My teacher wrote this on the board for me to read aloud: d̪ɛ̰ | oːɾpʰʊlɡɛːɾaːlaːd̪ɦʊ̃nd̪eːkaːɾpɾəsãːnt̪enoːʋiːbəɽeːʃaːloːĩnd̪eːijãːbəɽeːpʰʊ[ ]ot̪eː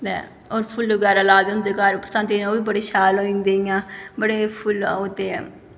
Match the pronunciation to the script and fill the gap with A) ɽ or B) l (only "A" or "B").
B